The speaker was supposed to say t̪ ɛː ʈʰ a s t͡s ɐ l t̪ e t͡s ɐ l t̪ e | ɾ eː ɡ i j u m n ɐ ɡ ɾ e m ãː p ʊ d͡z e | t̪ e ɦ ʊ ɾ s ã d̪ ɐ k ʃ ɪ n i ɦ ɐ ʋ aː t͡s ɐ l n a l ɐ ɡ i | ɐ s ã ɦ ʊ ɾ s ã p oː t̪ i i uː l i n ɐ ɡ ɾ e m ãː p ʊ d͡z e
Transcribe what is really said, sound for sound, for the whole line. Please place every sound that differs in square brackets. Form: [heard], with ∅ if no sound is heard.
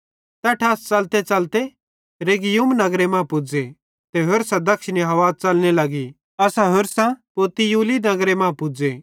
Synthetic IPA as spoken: t̪ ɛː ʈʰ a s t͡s ɐ l t̪ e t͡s ɐ l t̪ e | ɾ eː ɡ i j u m n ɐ ɡ ɾ e m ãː p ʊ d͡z e | t̪ e ɦ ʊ ɾ s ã d̪ ɐ k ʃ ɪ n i ɦ ɐ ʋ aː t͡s ɐ l n [e] l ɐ ɡ i | ɐ s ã ɦ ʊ ɾ s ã p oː t̪ i [j] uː l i n ɐ ɡ ɾ e m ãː p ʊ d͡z e